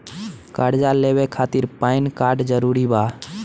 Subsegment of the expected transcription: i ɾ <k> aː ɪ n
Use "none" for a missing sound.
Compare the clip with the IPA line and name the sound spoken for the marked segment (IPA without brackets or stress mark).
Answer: p